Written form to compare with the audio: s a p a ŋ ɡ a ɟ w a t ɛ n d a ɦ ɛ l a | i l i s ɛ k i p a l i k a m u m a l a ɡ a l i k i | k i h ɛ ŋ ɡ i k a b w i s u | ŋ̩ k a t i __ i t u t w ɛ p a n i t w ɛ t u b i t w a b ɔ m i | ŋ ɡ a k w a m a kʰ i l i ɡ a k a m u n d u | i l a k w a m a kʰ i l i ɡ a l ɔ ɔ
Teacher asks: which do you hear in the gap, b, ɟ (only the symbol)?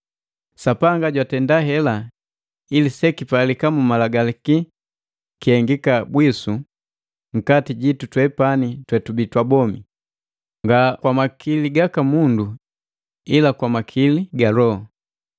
ɟ